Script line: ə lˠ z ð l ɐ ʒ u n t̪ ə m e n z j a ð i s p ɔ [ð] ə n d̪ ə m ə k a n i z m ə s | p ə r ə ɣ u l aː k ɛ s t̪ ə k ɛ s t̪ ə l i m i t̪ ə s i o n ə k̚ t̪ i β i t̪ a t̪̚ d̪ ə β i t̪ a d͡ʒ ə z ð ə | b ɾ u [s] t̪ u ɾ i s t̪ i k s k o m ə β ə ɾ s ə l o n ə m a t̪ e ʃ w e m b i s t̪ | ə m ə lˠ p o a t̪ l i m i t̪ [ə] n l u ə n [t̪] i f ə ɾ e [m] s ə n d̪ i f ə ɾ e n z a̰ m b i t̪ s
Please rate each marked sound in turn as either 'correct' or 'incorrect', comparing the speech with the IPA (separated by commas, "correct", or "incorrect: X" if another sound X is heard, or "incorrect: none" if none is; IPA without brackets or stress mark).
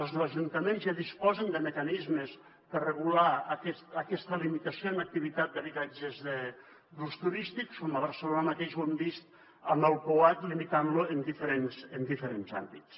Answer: incorrect: z, correct, incorrect: a, incorrect: d̪, incorrect: n